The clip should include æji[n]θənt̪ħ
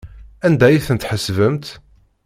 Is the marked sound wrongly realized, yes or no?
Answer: yes